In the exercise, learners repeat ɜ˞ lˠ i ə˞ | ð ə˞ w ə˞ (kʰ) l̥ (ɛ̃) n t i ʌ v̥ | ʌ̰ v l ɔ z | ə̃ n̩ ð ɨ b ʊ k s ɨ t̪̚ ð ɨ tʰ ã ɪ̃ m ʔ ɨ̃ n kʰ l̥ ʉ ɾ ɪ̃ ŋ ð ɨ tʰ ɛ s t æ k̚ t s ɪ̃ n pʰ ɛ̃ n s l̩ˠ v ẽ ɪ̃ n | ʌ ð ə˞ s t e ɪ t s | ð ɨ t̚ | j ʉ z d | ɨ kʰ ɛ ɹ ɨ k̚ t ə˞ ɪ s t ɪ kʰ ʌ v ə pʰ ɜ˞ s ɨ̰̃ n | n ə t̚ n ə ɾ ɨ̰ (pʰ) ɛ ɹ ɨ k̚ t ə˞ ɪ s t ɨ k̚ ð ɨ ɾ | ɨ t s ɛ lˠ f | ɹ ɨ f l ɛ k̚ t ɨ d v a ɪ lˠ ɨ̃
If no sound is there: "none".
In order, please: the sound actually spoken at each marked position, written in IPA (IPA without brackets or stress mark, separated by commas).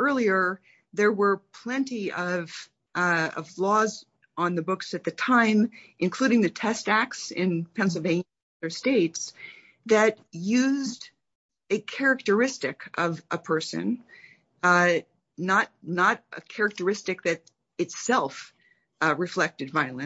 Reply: pʰ, ɛ̃, kʰ